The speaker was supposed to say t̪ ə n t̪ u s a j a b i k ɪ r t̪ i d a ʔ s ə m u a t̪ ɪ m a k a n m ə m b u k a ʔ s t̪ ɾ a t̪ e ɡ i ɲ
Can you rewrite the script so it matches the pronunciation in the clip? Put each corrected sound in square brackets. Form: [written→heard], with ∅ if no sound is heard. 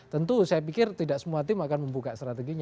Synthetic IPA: t̪ ə n t̪ u s a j a [b→p] i k ɪ r t̪ i d a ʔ s ə m u a t̪ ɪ m a k a n m ə m b u k a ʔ s t̪ ɾ a t̪ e ɡ i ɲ